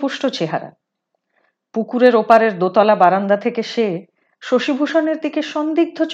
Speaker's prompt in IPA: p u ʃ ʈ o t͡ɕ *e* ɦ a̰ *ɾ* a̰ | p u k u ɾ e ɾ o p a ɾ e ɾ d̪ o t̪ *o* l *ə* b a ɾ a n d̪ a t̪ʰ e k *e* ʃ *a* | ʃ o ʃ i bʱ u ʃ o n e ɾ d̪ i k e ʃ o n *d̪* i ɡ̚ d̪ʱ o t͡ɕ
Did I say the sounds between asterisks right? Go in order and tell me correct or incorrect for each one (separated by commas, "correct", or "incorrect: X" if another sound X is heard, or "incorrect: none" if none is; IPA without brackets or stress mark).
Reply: correct, correct, incorrect: ɔ, incorrect: a, correct, incorrect: e, correct